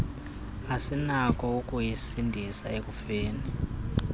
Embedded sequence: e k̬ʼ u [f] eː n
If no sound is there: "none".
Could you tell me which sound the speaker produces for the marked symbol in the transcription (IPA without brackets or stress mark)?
f